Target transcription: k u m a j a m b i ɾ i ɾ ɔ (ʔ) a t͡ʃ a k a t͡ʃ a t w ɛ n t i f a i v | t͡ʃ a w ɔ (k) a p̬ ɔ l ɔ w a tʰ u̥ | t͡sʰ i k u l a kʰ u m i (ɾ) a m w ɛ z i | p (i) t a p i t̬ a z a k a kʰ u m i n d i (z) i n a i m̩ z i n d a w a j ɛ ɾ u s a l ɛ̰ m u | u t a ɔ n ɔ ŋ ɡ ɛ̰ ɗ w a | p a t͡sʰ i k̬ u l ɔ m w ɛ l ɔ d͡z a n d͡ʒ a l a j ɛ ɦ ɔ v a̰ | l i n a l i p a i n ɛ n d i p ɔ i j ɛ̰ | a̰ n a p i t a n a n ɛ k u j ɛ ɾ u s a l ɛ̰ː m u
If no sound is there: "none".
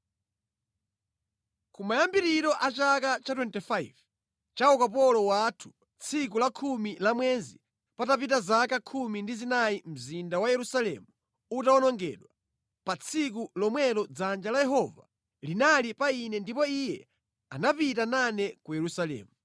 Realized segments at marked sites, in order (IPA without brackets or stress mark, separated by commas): ʔ, k, l, a, z